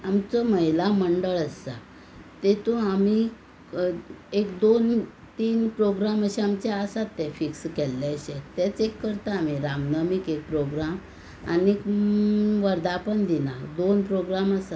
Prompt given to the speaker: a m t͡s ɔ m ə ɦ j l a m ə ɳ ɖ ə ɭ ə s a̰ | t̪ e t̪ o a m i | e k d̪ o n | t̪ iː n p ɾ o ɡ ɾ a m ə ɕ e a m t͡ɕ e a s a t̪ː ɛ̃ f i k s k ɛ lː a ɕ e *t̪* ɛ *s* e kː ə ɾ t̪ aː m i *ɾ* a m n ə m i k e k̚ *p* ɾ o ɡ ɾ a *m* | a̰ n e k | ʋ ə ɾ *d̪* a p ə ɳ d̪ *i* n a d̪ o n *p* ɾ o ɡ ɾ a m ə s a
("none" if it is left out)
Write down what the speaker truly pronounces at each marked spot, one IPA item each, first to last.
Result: t̪, t͡s, ɾ, p, m, d̪, i, p

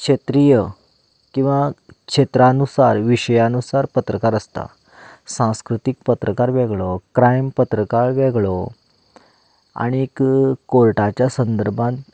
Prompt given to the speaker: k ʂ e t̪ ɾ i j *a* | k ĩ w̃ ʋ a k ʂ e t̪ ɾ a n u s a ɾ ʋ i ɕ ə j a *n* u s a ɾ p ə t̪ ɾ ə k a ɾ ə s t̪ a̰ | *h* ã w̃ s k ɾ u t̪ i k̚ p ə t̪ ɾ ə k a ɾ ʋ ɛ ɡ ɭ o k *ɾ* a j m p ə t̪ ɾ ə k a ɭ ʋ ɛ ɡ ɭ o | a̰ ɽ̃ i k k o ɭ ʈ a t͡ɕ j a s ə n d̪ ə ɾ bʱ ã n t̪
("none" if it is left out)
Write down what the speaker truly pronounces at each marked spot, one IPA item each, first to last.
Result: ə, n, s, ɾ

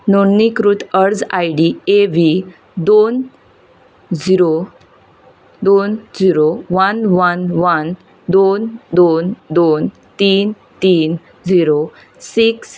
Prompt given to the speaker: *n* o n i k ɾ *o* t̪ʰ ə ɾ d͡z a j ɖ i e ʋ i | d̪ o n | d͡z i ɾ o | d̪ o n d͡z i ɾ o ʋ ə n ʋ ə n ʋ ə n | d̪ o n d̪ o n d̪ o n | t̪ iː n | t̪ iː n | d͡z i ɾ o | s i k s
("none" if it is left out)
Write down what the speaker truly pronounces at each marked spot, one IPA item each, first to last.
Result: n, u

